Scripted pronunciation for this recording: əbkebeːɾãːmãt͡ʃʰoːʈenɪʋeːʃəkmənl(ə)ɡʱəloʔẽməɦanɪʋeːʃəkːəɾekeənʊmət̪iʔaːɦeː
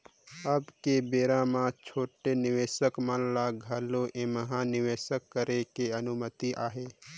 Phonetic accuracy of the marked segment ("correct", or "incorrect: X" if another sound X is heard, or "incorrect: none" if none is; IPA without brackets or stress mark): incorrect: a